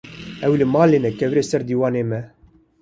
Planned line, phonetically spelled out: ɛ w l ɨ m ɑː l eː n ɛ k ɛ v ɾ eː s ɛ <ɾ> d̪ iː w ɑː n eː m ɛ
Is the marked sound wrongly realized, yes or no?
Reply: no